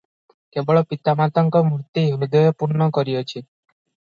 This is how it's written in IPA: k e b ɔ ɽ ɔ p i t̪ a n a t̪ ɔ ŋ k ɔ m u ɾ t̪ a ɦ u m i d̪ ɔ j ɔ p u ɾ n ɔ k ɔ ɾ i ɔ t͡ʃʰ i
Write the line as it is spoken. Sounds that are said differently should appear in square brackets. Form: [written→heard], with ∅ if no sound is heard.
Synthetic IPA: k e b ɔ [ɽ→ɭ] ɔ p i t̪ a [n→m] a t̪ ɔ ŋ k ɔ m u ɾ t̪ [a→i] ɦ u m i d̪ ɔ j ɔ p u ɾ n ɔ k ɔ ɾ i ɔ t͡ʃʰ i